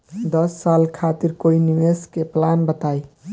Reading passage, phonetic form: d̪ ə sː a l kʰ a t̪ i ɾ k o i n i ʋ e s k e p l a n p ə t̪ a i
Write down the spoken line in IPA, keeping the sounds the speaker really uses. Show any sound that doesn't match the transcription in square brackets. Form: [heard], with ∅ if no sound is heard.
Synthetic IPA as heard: d̪ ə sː a l kʰ a t̪ i ɾ k o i n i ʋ e s k e p l a n [b] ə t̪ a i